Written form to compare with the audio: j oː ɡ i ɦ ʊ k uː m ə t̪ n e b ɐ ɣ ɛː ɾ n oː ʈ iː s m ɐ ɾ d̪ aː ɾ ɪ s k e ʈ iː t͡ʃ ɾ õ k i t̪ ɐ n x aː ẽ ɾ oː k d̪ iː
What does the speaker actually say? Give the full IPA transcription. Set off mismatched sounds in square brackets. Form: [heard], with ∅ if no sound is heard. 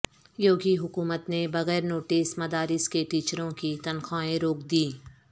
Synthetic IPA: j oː ɡ i ɦ ʊ k uː m ə t̪ n e b ɐ ɣ ɛː ɾ n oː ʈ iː s m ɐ [∅] d̪ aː ɾ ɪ s k e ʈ iː t͡ʃ ɾ õ k i t̪ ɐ n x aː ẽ ɾ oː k d̪ iː